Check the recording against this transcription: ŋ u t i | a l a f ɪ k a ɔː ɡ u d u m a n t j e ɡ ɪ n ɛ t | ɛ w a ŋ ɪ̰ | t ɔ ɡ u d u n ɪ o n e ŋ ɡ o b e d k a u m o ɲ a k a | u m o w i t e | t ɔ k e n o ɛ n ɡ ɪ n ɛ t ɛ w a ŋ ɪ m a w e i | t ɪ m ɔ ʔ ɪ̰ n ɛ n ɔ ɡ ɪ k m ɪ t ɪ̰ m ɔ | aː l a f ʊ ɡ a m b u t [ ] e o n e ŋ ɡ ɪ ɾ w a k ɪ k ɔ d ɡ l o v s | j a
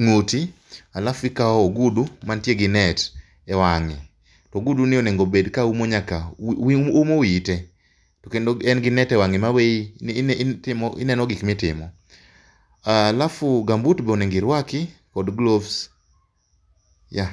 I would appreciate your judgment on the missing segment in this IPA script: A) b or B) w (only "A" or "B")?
A